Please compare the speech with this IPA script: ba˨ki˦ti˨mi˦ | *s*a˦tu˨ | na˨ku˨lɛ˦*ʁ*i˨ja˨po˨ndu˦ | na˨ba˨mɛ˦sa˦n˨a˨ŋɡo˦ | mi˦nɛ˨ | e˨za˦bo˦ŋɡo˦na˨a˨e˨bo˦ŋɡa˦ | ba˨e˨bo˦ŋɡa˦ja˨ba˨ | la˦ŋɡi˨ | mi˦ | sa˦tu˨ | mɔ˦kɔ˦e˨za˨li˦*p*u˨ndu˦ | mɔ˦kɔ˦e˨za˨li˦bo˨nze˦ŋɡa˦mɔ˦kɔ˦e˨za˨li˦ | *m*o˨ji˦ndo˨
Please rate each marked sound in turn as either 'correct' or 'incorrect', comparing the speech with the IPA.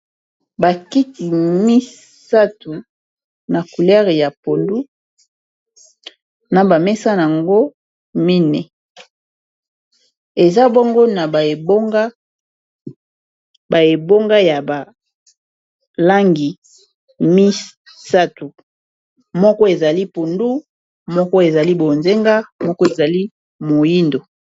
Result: correct, correct, correct, correct

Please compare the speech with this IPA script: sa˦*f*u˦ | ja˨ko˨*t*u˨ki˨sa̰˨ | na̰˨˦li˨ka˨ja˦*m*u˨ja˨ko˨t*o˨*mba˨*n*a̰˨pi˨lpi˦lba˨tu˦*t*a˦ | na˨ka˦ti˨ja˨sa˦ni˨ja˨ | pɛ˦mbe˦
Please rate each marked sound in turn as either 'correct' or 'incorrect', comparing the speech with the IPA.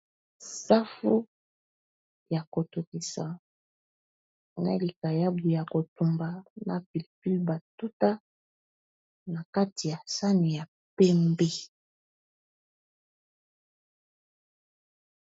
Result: correct, correct, incorrect: b, incorrect: u˨, correct, correct

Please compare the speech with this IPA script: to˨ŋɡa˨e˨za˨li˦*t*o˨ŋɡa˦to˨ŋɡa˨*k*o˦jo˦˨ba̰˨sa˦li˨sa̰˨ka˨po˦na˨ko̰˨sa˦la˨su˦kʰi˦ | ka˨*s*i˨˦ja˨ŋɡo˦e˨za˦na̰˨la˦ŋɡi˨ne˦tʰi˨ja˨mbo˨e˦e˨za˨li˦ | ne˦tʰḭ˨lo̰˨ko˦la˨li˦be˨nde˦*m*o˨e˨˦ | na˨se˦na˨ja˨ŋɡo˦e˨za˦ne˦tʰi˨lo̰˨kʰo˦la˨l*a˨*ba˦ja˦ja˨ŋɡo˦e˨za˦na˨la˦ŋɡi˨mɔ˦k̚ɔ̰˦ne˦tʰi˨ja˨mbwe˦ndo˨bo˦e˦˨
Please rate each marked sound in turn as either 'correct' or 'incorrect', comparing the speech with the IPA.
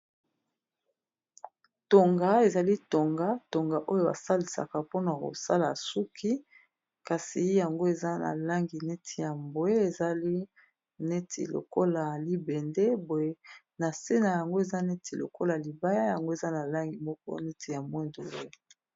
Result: correct, incorrect: ʔ, correct, incorrect: b, incorrect: i˨

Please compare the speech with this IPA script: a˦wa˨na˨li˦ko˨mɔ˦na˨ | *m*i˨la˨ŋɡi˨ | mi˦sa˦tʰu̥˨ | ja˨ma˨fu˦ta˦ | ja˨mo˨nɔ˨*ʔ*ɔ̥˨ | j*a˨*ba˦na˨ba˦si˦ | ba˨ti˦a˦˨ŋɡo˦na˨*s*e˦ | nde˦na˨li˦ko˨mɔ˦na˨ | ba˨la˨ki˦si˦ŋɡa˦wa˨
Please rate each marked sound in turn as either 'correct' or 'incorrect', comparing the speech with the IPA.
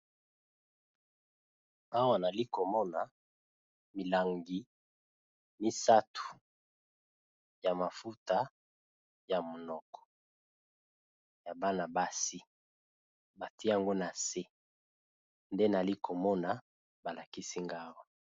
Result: correct, incorrect: k, correct, correct

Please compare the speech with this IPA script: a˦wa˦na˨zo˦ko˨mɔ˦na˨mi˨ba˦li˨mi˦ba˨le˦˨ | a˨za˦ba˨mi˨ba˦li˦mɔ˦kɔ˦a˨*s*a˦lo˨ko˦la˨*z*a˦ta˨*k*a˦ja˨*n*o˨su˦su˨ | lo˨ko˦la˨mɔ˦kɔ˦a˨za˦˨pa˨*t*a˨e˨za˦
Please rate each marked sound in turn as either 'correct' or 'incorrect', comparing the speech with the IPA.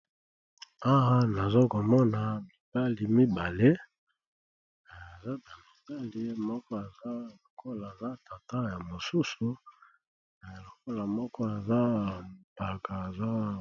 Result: incorrect: z, correct, incorrect: t, incorrect: m, incorrect: k

